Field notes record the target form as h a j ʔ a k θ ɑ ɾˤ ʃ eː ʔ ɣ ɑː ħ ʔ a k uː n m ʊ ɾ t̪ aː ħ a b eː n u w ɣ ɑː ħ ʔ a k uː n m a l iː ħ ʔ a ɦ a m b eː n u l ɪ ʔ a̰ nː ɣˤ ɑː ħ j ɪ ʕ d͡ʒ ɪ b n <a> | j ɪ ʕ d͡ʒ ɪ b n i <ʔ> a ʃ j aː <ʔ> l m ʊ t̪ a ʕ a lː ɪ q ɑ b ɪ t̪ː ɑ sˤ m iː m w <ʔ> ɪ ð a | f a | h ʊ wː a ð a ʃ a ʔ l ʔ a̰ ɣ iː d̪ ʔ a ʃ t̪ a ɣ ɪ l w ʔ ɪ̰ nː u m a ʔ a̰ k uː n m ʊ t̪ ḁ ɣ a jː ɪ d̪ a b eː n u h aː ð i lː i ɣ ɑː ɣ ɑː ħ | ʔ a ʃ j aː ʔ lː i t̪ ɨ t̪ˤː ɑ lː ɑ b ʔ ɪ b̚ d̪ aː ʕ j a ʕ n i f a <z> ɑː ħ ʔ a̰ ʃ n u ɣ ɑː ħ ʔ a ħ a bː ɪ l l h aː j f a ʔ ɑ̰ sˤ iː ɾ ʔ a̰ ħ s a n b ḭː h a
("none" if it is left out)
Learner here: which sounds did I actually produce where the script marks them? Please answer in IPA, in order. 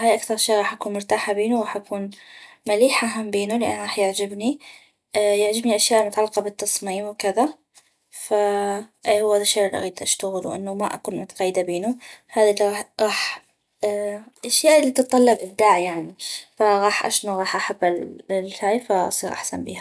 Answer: i, ʔ, ʔ, k, ɣ

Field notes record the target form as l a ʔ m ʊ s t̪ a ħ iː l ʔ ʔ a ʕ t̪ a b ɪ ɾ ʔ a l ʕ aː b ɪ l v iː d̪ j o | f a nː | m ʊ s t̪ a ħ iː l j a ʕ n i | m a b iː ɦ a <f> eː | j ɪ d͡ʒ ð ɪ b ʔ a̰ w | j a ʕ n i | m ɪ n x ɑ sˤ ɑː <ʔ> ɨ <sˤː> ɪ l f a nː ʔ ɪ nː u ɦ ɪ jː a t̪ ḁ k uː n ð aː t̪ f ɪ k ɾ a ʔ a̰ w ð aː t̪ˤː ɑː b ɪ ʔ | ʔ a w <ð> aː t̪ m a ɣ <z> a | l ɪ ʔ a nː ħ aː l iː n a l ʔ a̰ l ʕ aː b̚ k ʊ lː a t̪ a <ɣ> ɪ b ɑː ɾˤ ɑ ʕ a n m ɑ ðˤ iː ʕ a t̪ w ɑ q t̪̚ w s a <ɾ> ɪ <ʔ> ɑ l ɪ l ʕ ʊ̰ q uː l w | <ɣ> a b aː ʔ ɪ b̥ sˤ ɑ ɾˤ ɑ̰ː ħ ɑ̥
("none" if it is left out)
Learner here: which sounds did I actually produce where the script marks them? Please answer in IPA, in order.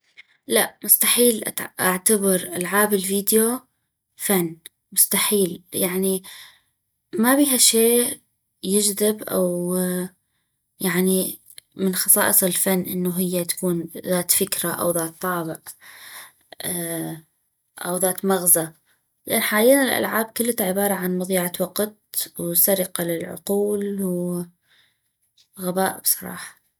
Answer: ʃ, ʔ, sˤ, ð, z, ʕ, ɾ, q, ɣ

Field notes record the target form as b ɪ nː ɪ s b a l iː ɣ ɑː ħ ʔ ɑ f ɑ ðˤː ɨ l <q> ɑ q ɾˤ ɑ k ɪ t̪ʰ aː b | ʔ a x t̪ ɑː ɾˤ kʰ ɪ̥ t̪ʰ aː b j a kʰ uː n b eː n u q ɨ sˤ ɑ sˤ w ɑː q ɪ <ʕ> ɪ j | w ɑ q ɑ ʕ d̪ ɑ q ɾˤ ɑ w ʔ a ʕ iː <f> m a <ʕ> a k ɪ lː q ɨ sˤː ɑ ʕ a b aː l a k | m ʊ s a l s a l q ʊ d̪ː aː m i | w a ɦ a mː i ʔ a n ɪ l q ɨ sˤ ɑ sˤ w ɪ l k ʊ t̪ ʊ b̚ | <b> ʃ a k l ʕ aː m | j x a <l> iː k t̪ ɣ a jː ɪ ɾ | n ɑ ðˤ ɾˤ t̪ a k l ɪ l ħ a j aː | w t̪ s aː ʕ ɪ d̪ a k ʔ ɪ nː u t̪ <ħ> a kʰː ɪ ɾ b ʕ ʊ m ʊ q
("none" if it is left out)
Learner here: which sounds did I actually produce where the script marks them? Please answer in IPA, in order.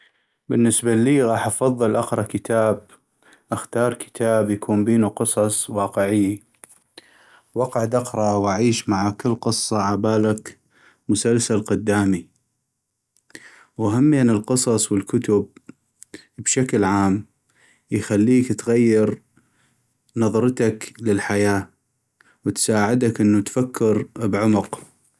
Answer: ʔ, ʕ, ʃ, ʕ, b, lː, f

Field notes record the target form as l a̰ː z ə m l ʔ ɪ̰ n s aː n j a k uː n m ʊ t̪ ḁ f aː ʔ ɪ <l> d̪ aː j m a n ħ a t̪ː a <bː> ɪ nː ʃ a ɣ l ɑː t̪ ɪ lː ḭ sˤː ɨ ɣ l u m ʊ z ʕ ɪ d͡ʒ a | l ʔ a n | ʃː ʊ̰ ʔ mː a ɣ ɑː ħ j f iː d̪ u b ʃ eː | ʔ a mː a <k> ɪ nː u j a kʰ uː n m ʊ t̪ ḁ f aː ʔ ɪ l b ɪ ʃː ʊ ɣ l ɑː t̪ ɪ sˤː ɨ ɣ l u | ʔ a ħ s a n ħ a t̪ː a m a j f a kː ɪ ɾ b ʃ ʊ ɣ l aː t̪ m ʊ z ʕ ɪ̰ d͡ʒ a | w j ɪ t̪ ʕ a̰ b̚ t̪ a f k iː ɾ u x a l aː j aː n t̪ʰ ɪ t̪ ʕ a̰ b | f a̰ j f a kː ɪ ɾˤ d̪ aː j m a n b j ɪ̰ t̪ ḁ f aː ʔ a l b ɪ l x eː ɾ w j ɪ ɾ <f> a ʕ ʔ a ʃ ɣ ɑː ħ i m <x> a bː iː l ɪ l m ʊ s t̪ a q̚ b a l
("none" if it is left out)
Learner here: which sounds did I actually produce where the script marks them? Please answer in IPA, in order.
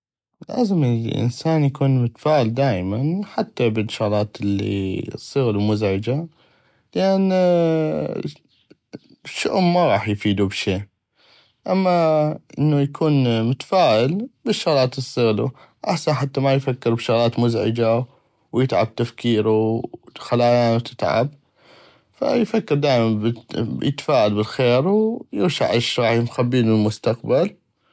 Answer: l, b, ʔ, ʃ, x

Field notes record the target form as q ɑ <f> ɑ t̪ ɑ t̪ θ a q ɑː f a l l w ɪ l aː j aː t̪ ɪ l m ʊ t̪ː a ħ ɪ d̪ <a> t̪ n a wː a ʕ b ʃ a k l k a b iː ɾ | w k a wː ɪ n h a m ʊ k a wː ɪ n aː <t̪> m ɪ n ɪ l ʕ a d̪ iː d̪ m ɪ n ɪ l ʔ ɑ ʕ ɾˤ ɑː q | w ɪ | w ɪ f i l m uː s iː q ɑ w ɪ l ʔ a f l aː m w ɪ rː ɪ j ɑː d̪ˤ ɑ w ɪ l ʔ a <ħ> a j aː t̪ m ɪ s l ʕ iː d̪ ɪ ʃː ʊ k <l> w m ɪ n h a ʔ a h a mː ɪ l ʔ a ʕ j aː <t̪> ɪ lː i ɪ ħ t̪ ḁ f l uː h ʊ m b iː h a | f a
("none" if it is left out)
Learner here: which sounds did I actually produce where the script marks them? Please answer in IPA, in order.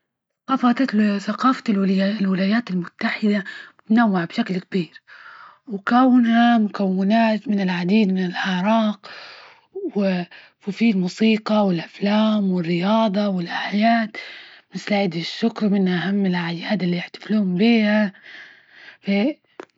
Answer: f, a, t̪, ħ, ɾ, d̪

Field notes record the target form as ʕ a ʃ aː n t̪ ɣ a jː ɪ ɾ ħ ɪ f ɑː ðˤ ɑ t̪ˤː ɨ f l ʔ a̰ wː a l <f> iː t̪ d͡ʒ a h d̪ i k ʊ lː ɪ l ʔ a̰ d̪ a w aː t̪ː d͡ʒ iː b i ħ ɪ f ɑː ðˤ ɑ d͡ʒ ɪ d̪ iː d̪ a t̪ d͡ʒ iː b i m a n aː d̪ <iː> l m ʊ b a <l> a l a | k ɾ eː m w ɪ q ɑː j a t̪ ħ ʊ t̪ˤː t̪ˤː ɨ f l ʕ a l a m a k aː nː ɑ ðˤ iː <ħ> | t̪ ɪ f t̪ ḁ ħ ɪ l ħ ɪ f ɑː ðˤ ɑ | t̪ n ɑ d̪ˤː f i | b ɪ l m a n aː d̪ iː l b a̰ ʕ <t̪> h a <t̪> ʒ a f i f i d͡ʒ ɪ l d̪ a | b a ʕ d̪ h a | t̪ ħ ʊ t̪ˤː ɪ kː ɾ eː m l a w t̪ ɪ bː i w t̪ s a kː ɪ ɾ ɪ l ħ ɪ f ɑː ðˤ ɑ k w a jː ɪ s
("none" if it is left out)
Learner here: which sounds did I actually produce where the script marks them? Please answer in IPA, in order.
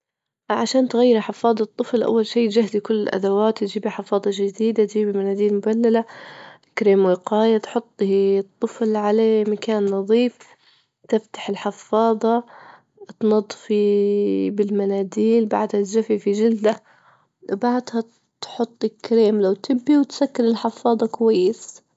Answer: ʃ, iː, lː, f, d̪, t̪

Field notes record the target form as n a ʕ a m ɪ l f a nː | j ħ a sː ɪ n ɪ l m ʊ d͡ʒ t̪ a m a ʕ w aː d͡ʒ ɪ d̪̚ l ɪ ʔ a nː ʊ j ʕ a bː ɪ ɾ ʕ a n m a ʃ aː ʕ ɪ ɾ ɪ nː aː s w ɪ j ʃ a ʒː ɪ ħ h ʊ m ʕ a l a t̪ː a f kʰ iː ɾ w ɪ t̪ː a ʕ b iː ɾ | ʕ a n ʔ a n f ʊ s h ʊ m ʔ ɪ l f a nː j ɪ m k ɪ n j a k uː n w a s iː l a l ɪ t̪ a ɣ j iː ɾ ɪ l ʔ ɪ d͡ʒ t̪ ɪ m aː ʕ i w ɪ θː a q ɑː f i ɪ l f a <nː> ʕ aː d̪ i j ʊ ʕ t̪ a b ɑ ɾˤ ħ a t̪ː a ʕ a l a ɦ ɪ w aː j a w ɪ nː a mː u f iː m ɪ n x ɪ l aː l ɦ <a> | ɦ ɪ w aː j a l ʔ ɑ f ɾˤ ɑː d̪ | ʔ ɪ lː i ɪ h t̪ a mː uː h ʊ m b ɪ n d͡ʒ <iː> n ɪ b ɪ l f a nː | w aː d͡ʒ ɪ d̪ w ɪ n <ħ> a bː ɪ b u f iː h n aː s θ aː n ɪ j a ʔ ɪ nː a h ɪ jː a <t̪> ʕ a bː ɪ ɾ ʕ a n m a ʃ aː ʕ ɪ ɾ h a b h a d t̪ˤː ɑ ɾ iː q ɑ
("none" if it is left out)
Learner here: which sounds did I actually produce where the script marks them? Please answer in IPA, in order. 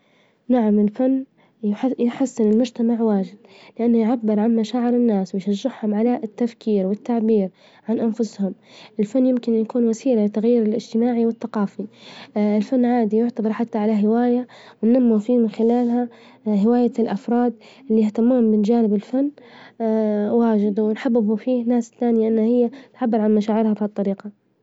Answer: nː, a, aː, ħ, t̪

